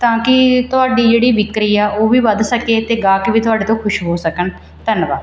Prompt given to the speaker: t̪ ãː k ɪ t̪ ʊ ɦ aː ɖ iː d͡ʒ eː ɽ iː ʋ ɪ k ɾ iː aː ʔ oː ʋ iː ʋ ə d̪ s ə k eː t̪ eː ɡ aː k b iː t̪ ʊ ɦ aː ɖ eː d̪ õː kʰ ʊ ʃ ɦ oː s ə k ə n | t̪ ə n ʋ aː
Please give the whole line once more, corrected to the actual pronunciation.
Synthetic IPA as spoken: t̪ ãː k ɪ t̪ ʊ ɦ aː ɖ iː d͡ʒ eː ɽ iː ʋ ɪ k ɾ iː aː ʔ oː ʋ iː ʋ ə d̪ s ə k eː t̪ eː ɡ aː k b iː t̪ ʊ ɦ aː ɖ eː t̪ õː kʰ ʊ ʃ ɦ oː s ə k ə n | t̪ ə n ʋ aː